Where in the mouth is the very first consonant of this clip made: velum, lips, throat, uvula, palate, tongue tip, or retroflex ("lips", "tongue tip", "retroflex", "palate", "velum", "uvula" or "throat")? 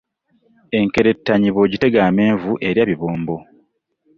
velum